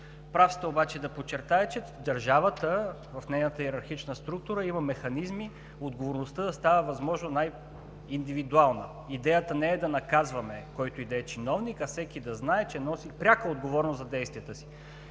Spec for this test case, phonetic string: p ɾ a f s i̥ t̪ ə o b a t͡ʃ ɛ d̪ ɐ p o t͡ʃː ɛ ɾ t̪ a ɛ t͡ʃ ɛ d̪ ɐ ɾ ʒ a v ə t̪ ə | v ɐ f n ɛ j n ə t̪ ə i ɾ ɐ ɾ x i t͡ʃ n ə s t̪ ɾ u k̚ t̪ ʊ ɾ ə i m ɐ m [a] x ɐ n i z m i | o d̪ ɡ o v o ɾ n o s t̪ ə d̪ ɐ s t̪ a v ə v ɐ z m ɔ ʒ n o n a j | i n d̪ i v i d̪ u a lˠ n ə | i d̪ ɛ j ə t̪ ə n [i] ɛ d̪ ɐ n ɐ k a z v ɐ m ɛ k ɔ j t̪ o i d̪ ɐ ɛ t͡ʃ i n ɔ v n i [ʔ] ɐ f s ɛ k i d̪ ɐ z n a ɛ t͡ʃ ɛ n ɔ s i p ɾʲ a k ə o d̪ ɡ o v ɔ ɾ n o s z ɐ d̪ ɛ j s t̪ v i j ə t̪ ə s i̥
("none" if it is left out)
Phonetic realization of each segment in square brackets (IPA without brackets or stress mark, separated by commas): ɛ, ɛ, k